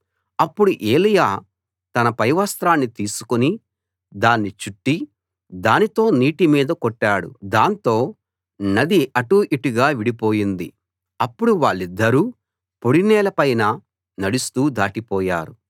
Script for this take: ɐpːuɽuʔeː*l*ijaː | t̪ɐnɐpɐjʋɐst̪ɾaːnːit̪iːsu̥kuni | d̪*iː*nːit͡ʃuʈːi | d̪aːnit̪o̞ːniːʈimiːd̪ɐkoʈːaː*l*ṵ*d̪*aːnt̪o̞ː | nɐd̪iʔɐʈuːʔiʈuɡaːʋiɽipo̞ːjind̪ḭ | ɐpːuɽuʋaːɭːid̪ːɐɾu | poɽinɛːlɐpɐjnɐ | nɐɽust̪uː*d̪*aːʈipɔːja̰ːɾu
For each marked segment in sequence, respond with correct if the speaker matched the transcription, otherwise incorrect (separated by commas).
correct, incorrect, incorrect, correct, correct